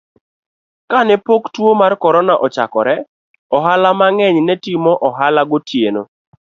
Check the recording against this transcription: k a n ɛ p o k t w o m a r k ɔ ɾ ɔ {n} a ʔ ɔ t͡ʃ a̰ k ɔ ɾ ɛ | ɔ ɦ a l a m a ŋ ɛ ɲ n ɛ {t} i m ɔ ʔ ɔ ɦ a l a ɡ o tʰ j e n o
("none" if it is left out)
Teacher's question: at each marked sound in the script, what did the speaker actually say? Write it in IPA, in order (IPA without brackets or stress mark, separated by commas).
n, t